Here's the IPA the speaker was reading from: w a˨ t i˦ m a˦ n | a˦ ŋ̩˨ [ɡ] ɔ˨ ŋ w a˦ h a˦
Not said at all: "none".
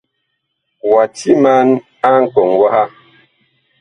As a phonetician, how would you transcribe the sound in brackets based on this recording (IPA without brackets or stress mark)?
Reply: k